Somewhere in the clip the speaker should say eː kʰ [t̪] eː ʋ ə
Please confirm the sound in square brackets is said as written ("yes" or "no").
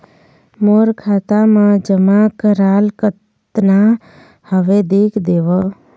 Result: no